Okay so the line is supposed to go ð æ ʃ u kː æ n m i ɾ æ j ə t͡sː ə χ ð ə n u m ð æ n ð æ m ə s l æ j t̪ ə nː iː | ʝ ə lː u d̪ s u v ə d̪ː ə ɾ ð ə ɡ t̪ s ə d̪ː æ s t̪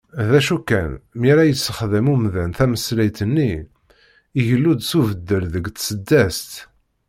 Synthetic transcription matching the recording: ð æ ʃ u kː æ n m i ɾ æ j ə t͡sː ə χ ð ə m u m ð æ n θ æ m ə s l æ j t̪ ə nː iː | ʝ ə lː u d̪ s u v ə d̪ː ə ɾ ð ə ɡ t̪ s ə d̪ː æ s t̪